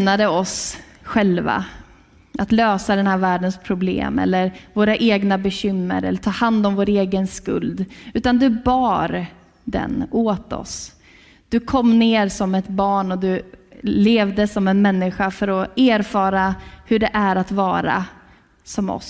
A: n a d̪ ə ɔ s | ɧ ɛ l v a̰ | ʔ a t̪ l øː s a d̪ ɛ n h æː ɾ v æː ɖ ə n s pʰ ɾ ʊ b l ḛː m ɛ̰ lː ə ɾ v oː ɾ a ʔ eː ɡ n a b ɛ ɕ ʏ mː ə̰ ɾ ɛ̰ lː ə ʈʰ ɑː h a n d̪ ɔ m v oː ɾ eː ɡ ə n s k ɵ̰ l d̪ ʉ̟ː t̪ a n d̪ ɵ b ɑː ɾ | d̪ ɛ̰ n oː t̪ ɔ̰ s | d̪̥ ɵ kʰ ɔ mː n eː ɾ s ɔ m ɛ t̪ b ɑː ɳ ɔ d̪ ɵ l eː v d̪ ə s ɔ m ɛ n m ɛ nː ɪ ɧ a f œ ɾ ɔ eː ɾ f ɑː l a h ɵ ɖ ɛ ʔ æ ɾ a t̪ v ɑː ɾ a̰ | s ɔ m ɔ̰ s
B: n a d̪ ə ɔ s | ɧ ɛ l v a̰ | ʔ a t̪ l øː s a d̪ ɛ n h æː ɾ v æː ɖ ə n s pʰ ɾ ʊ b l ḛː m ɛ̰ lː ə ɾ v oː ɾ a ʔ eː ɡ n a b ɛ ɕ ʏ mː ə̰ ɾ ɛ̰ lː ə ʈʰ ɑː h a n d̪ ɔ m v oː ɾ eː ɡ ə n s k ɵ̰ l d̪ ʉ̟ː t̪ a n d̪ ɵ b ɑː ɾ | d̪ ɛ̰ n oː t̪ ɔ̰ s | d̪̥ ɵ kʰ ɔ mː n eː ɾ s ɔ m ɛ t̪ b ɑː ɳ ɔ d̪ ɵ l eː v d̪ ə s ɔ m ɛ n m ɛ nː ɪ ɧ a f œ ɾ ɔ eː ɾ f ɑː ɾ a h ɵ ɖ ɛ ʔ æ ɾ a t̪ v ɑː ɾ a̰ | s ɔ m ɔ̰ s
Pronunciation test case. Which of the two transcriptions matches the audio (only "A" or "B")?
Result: B